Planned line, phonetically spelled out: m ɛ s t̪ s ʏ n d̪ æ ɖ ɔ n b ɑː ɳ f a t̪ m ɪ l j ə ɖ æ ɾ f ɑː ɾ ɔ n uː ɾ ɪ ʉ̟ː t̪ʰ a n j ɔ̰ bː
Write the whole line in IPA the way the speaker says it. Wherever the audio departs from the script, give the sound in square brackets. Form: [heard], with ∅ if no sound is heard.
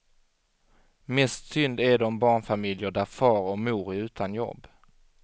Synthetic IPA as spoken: m ɛ s t̪ s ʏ n d̪ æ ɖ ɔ [m] b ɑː ɳ f a [∅] m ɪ l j ə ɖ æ ɾ f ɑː ɾ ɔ [m] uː ɾ ɪ ʉ̟ː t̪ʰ a n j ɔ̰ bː